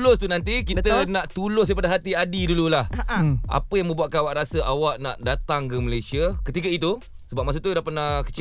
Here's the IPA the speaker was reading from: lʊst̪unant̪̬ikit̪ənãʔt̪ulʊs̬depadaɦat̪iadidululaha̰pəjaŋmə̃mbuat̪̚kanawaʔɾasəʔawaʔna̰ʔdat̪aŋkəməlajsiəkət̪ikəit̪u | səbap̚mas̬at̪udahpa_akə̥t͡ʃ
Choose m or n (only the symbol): n